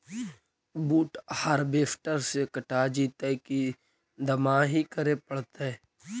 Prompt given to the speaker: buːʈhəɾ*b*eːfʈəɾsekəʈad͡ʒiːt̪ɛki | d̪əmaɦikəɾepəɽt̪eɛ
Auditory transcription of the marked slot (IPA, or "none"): b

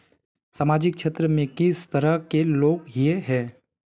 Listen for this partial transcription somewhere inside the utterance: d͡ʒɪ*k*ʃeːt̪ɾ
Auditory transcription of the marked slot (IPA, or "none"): k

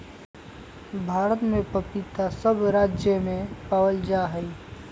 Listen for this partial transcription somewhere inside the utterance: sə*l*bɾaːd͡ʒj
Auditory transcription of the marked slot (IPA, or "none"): none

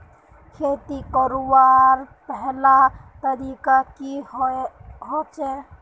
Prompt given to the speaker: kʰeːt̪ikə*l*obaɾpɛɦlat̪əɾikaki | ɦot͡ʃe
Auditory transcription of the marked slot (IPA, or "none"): ɾ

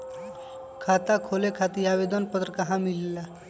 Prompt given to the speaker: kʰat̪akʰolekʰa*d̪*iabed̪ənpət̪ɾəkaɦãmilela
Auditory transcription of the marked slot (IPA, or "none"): t̪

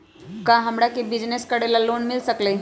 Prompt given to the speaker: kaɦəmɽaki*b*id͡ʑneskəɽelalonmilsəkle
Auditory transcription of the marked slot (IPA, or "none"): b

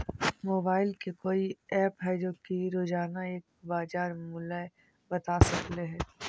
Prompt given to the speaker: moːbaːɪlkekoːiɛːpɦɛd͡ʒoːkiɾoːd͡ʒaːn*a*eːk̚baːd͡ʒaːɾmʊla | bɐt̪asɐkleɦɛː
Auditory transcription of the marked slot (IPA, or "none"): a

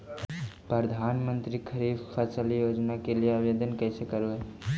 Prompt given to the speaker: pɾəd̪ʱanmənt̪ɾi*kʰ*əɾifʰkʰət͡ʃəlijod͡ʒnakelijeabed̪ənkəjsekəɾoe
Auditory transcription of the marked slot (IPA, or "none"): kʰ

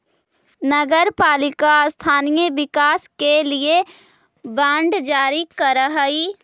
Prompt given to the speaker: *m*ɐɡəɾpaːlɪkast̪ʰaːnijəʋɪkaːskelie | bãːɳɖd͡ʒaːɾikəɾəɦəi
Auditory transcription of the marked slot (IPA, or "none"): n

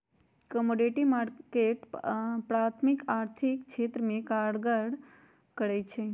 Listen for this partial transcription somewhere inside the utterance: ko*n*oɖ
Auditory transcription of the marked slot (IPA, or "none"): m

